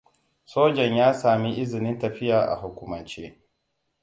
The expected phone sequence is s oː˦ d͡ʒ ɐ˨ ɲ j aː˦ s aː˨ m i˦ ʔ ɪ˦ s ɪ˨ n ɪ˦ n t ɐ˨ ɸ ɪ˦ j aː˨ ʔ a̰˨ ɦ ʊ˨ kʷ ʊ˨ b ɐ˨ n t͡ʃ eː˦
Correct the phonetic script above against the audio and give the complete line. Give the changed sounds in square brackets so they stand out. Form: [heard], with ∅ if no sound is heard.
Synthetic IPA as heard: s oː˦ d͡ʒ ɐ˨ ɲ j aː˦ s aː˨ m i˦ ʔ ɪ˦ [z] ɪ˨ n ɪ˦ n t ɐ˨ ɸ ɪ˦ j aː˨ ʔ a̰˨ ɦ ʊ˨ kʷ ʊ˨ [m] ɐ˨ n t͡ʃ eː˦